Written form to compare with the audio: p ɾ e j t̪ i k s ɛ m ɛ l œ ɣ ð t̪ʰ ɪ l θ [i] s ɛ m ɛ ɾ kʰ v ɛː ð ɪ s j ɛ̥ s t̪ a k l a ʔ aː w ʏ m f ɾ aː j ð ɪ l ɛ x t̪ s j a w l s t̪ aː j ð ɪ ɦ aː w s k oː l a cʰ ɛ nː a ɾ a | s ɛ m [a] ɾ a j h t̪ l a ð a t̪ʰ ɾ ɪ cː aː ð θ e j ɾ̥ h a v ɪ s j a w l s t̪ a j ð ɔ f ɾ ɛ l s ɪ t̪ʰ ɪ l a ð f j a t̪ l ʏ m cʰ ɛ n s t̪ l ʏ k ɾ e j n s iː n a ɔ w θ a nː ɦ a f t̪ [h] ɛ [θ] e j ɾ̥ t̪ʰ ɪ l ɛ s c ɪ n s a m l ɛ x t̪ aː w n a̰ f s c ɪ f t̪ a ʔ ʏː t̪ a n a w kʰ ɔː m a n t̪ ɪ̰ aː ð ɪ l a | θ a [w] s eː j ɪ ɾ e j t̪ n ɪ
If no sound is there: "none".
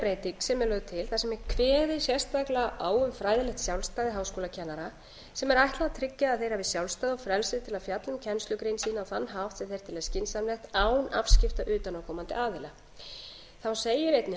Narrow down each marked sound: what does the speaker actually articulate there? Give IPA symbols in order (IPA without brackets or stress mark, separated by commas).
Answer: a, ɛ, s, θ, w